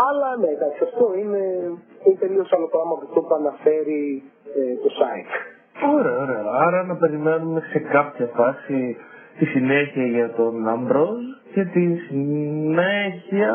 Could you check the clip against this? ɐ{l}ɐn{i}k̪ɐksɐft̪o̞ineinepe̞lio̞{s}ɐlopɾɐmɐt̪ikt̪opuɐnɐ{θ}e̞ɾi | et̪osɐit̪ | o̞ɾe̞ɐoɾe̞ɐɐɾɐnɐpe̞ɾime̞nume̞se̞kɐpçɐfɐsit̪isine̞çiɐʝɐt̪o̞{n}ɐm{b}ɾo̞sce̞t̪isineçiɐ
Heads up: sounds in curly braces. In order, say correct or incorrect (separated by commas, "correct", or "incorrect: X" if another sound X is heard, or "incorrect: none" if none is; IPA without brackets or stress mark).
correct, incorrect: e, correct, incorrect: f, correct, correct